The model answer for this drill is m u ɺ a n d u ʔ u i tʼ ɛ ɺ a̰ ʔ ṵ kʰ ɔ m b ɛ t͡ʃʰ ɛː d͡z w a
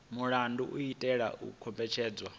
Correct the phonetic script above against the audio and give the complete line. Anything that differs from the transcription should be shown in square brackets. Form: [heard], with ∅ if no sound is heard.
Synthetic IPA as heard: m u ɺ a n d u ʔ u i tʼ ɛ ɺ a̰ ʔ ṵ kʰ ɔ m b ɛ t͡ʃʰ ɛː d͡z w a